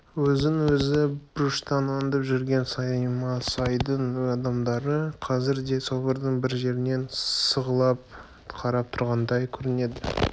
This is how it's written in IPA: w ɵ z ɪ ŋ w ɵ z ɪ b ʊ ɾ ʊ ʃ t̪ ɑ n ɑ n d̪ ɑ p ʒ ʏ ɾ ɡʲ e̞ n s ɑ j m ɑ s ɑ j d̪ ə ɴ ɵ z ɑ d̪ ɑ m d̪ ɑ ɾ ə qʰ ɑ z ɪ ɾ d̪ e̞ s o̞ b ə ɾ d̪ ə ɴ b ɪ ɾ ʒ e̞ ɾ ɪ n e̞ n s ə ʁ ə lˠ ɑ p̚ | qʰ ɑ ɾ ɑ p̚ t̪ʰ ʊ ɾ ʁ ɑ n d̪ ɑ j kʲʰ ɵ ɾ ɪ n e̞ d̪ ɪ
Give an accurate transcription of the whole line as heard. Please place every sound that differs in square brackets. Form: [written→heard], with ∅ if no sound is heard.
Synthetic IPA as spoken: w ɵ z ɪ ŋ w ɵ z ɪ b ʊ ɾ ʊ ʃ t̪ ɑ n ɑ n d̪ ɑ p ʒ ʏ ɾ ɡʲ e̞ n s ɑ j m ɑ s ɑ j d̪ ə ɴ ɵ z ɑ d̪ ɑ m d̪ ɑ ɾ ə qʰ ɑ z ɪ ɾ d̪ e̞ s o̞ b ə ɾ d̪ ə ɴ b ɪ ɾ ʒ e̞ ɾ ɪ n e̞ n s ə ʁ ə lˠ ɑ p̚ | qʰ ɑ ɾ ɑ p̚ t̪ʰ ʊ ɾ ʁ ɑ n d̪ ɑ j kʲʰ ɵ ɾ ɪ n e̞ d̪ ɪ

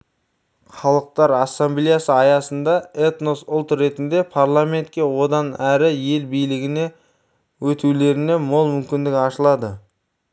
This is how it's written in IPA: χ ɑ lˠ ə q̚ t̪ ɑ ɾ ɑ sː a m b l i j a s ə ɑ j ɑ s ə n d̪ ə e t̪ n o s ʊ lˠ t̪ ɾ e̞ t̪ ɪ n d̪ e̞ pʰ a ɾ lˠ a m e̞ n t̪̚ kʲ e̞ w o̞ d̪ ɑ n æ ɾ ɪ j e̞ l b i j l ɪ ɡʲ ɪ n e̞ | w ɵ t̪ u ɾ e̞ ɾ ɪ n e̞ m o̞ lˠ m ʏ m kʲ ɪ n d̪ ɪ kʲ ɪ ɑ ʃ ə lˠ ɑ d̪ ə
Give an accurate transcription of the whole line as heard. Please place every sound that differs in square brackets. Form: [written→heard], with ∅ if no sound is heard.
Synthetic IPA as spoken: χ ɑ lˠ ə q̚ t̪ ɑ ɾ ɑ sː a m b l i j a s ə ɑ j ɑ s ə n d̪ [ə→ɑ] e t̪ n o s ʊ lˠ t̪ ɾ e̞ t̪ ɪ n d̪ e̞ pʰ a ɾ lˠ a m e̞ n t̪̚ kʲ e̞ w o̞ d̪ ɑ n æ ɾ ɪ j e̞ l b i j l ɪ ɡʲ ɪ n e̞ | w ɵ t̪ u [ɾ→l] e̞ ɾ ɪ n e̞ m o̞ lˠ m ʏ m kʲ ɪ n d̪ ɪ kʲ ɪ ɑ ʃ ə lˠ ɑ d̪ ə

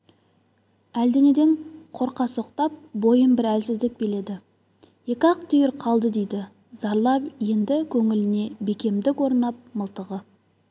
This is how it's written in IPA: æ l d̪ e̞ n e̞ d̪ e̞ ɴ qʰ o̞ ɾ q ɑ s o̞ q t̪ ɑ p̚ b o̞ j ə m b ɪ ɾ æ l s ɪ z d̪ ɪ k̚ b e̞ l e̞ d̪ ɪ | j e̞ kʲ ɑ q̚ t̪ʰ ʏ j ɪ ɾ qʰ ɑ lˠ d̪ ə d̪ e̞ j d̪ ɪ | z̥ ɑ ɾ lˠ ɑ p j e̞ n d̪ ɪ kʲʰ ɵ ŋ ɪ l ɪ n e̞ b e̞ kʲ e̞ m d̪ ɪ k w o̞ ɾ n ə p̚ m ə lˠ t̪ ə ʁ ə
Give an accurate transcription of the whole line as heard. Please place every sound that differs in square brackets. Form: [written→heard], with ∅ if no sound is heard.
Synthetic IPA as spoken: æ l d̪ e̞ n e̞ d̪ e̞ ɴ qʰ o̞ ɾ q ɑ s o̞ q t̪ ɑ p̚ b o̞ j ə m b ɪ ɾ æ l s ɪ z d̪ ɪ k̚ b e̞ l e̞ d̪ ɪ | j e̞ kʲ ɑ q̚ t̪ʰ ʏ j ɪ ɾ qʰ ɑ lˠ d̪ ə d̪ e̞ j d̪ ɪ | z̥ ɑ ɾ lˠ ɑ p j e̞ n d̪ ɪ kʲʰ ɵ ŋ ɪ l ɪ n e̞ b e̞ kʲ e̞ m d̪ ɪ k w o̞ ɾ n [ə→ɑ] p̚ m ə lˠ t̪ ə ʁ ə

